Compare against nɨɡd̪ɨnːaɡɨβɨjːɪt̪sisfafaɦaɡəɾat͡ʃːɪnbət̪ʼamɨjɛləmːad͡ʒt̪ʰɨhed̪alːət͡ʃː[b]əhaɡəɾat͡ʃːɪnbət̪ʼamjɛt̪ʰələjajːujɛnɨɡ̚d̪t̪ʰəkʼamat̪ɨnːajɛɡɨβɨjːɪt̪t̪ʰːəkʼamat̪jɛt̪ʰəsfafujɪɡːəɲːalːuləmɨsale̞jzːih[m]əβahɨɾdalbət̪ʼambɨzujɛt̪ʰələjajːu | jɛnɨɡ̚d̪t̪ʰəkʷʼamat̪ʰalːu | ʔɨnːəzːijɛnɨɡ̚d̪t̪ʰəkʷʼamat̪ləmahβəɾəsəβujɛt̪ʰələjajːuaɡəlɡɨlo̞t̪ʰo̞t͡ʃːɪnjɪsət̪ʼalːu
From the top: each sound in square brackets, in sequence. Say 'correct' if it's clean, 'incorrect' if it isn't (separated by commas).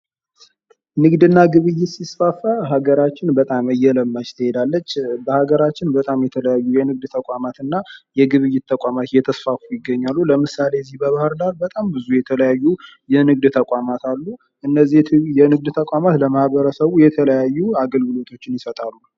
correct, incorrect